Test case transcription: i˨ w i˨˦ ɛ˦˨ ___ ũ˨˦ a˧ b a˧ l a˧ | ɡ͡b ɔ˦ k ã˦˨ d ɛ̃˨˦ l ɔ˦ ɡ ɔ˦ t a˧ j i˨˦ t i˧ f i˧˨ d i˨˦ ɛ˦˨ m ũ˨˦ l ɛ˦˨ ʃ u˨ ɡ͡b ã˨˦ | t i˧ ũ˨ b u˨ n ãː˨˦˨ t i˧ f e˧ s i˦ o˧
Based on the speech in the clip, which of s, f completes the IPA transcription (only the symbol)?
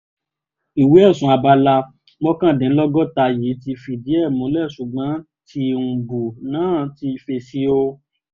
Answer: s